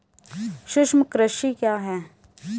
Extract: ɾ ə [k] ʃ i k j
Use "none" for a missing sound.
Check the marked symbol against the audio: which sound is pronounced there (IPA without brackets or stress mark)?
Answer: none